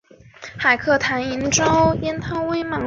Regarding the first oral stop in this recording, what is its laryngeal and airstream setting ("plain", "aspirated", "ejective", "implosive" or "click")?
aspirated